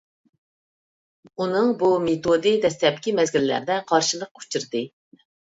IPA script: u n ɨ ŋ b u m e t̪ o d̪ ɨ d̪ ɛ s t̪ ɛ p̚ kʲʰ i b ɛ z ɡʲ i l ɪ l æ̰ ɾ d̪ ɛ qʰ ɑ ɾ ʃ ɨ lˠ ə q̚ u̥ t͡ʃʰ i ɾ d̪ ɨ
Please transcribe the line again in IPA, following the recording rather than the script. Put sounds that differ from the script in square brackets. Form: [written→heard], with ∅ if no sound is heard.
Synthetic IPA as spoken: u n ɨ ŋ b u m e t̪ o d̪ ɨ d̪ ɛ s t̪ ɛ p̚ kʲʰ i [b→m] ɛ z ɡʲ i l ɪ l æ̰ ɾ d̪ ɛ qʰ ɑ ɾ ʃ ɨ lˠ ə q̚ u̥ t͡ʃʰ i ɾ d̪ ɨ